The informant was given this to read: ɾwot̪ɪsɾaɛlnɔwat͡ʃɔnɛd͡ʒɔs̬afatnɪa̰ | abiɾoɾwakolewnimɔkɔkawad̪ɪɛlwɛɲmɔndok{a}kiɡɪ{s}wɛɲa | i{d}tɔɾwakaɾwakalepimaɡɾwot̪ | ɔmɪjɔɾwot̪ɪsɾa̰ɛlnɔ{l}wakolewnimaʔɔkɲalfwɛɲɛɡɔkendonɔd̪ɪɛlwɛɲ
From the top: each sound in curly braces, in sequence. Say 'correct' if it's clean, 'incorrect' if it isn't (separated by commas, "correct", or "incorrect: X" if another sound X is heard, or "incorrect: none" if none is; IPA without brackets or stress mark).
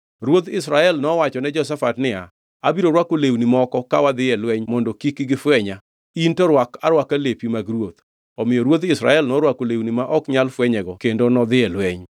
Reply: incorrect: i, incorrect: f, incorrect: n, incorrect: ɾ